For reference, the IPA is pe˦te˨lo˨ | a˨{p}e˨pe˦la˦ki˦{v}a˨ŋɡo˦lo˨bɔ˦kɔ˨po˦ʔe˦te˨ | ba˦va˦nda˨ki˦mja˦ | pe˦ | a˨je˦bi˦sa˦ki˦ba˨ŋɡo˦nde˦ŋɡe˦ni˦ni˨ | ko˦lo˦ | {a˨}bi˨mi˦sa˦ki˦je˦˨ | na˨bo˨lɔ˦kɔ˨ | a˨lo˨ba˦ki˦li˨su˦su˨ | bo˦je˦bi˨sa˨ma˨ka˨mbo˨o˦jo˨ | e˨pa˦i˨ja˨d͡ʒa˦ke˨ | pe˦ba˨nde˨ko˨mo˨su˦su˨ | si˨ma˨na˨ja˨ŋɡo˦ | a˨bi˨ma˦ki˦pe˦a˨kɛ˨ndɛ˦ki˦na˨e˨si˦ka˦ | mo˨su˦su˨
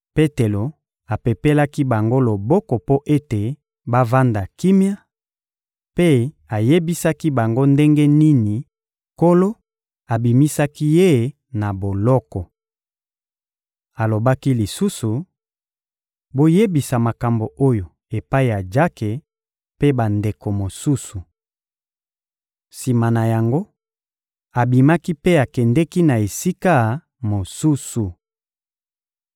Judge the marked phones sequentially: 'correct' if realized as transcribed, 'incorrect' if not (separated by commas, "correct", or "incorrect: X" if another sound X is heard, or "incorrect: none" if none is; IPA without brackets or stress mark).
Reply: correct, incorrect: b, correct